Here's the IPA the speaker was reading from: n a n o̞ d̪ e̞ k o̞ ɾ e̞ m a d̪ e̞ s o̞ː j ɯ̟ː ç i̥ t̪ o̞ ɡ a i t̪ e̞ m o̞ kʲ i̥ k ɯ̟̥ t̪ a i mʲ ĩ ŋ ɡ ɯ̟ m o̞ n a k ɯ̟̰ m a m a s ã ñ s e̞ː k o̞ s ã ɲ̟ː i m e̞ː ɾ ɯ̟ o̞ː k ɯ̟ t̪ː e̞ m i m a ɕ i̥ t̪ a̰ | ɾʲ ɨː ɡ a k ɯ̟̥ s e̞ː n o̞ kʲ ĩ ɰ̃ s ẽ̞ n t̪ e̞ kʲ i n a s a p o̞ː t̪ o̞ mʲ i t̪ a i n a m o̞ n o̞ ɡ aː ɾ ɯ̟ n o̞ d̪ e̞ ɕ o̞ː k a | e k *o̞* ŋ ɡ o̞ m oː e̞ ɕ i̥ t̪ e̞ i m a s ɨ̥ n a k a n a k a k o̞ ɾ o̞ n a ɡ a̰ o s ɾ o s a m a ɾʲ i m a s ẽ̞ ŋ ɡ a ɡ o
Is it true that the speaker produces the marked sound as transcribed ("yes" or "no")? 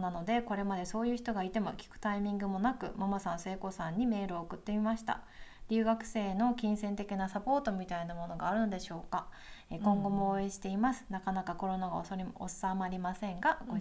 no